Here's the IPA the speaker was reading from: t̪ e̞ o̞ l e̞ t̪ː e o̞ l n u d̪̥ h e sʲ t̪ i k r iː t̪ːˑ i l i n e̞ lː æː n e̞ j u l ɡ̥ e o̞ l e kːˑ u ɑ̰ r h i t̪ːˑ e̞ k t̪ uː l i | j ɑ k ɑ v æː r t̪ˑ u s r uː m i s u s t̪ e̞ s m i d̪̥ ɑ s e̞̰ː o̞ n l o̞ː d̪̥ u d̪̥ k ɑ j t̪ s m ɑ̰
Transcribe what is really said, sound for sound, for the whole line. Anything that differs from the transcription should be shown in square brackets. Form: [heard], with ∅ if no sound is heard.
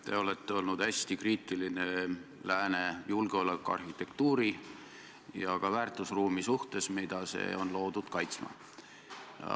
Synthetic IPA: t̪ e̞ o̞ l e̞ t̪ː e o̞ l n u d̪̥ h [æ] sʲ t̪ i k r iː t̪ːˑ i l i n e̞ [l] æː n e̞ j u l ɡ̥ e o̞ l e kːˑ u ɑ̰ r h i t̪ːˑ e̞ k t̪ uː [ɾ] i | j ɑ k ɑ v æː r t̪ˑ u s r uː m i s u [h] t̪ e̞ s m i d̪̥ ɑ s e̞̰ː o̞ n l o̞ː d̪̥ u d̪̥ k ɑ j t̪ s m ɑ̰